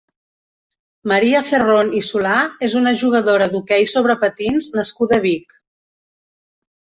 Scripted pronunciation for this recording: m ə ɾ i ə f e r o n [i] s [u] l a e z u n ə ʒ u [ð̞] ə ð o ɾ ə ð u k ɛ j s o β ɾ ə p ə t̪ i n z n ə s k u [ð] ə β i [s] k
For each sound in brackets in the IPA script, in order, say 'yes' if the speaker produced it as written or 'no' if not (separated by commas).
yes, yes, no, yes, no